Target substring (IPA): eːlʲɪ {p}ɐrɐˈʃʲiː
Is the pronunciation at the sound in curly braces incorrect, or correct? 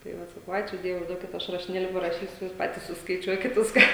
correct